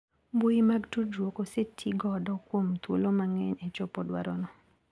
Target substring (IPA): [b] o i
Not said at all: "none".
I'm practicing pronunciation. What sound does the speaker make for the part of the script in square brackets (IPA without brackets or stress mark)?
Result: b